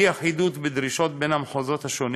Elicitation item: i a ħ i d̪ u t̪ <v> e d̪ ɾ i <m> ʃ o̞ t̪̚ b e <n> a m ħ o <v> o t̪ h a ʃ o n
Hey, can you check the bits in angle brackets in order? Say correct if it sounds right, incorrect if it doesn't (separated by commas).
incorrect, incorrect, correct, incorrect